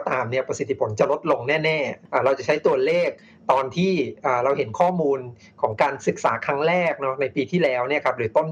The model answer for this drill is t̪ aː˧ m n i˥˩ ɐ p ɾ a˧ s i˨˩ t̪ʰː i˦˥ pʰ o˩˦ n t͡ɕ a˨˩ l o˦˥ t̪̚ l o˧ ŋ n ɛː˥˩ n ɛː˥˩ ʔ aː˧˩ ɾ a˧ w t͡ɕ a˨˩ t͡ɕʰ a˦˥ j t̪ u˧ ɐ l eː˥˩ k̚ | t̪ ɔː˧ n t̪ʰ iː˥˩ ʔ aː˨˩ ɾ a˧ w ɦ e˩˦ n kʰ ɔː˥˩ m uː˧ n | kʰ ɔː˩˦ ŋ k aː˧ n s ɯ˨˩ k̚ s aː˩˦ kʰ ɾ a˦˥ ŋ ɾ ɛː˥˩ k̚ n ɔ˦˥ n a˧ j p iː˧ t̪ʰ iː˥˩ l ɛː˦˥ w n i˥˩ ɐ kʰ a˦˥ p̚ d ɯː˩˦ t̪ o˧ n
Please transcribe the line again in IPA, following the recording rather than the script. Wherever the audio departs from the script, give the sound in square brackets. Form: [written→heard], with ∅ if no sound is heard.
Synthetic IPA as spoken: t̪ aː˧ m n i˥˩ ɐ p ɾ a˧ s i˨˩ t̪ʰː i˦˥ pʰ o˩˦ n t͡ɕ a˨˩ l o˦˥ t̪̚ l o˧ ŋ n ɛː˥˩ n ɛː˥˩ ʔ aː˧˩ ɾ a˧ w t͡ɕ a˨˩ t͡ɕʰ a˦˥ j t̪ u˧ ɐ l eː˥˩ k̚ | t̪ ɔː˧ n t̪ʰ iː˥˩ ʔ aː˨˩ ɾ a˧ w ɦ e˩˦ n kʰ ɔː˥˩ m uː˧ n | kʰ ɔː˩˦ ŋ k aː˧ n s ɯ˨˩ k̚ s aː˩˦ kʰ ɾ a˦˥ ŋ ɾ ɛː˥˩ k̚ n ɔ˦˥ n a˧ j p iː˧ t̪ʰ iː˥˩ l ɛː˦˥ w n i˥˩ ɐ kʰ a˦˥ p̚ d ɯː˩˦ t̪ [o˧→o˥˩] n